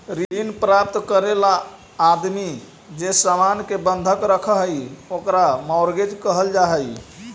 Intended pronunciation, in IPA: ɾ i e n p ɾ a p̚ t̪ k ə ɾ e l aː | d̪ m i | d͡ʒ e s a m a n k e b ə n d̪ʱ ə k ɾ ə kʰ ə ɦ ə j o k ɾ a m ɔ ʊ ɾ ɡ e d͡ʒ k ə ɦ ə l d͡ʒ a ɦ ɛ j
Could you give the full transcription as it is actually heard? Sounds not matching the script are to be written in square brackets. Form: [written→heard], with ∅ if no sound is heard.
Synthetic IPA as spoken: ɾ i [e→i] n p ɾ a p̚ t̪ k ə ɾ e l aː | d̪ m i | d͡ʒ e s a m a n k e b ə n d̪ʱ ə k ɾ ə kʰ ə ɦ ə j o k ɾ a m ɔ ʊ ɾ ɡ e d͡ʒ k ə ɦ ə l d͡ʒ a ɦ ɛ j